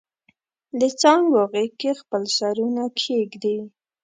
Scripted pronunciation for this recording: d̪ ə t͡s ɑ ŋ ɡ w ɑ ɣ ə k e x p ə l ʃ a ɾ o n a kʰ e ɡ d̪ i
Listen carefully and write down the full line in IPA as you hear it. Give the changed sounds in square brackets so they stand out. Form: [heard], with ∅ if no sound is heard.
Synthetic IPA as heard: d̪ ə t͡s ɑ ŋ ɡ w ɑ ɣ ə k e x p ə l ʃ a ɾ [u] n a kʰ e ɡ d̪ i

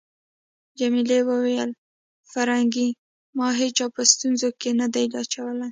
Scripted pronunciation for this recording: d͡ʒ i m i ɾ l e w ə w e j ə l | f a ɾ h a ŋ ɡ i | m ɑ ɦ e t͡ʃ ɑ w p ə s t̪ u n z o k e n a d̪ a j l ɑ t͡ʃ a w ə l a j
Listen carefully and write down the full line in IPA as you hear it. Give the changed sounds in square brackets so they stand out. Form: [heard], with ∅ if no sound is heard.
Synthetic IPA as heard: d͡ʒ [a] m i [∅] l e w ə w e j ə l | f a ɾ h a ŋ ɡ i | m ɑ ɦ e t͡ʃ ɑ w p ə s t̪ u n z o k e n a d̪ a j l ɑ t͡ʃ a w ə l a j

